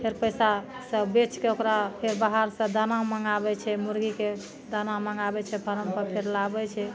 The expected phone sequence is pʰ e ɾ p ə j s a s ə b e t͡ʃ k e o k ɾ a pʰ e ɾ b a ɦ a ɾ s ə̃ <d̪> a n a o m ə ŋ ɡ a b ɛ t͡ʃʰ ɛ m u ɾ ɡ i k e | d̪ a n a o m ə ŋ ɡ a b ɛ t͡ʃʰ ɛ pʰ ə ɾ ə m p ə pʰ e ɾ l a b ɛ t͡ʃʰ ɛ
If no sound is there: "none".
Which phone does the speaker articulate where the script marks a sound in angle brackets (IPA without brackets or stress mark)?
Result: d̪